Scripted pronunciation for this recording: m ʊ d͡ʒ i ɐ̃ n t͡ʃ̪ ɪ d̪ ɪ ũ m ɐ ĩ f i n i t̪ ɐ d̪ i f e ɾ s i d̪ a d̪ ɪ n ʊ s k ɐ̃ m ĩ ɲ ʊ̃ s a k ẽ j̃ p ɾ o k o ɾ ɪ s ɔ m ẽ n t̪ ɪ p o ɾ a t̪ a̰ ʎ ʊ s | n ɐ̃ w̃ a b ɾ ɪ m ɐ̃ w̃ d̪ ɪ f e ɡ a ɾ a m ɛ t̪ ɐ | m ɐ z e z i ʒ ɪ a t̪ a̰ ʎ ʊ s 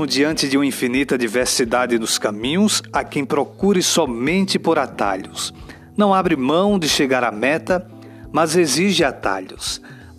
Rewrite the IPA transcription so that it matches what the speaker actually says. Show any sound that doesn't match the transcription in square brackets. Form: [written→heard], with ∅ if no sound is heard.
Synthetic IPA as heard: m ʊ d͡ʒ i ɐ̃ n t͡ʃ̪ ɪ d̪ ɪ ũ m ɐ ĩ f i n i t̪ ɐ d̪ i [f→v] e ɾ s i d̪ a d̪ ɪ n ʊ s k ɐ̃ m ĩ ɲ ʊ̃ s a k ẽ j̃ p ɾ o k [o→u] ɾ ɪ s ɔ m ẽ n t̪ ɪ p o ɾ a t̪ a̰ ʎ ʊ s | n ɐ̃ w̃ a b ɾ ɪ m ɐ̃ w̃ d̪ ɪ [f→ʃ] e ɡ a ɾ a m ɛ t̪ ɐ | m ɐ z e z i ʒ ɪ a t̪ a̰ ʎ ʊ s